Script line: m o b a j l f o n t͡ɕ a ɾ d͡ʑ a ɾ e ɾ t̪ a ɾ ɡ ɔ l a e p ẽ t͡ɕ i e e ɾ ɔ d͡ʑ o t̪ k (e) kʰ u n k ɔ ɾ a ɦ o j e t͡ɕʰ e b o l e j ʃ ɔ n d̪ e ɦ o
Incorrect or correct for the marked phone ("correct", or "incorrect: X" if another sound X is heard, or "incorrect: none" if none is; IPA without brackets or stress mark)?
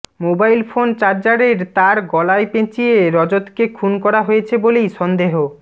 correct